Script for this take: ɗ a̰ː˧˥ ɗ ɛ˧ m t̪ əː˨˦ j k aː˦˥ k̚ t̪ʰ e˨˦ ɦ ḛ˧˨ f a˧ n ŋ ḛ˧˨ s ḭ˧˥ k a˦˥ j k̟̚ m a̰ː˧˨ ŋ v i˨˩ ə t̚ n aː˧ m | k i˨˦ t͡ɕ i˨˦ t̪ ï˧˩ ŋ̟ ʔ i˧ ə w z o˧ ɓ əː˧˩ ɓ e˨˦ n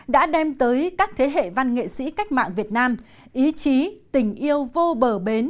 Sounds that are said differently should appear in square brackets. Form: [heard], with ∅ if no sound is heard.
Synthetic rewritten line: ɗ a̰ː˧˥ ɗ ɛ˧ m t̪ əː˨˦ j k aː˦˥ k̚ t̪ʰ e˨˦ ɦ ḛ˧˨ [v] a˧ n ŋ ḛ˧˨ s ḭ˧˥ k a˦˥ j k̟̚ m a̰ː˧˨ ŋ v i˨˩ ə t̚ n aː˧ m | [ʔ] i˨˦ t͡ɕ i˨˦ t̪ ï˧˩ ŋ̟ ʔ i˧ ə w [v] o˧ ɓ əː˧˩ ɓ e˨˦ n